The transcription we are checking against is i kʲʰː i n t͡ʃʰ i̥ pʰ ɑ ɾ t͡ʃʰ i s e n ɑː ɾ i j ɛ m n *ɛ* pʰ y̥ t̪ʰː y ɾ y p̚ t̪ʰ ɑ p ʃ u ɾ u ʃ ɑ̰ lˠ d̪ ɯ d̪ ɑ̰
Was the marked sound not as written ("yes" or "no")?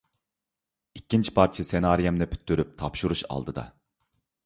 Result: no